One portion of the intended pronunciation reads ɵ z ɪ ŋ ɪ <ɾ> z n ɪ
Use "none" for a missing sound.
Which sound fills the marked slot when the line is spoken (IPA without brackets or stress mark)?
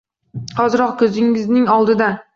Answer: none